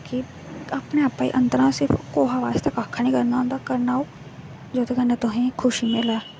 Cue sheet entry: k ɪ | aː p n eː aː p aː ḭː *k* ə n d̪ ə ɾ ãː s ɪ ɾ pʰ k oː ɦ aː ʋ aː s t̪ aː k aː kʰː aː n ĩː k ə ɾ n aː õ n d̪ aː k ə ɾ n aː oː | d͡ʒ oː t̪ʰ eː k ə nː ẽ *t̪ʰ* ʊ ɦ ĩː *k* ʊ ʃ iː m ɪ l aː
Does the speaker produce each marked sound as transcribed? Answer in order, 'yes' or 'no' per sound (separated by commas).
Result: no, no, no